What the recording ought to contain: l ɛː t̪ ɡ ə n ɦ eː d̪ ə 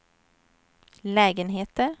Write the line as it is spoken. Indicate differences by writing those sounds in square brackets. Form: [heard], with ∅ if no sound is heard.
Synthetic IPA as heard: l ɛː [∅] ɡ ə n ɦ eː [t̪] ə